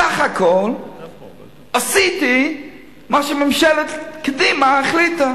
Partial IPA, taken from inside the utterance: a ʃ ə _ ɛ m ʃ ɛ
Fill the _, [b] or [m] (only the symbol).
m